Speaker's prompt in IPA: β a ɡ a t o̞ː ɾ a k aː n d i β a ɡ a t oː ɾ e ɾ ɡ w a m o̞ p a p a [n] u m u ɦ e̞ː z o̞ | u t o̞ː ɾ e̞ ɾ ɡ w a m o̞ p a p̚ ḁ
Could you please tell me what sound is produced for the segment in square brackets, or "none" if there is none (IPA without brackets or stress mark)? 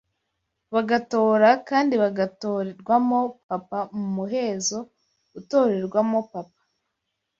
m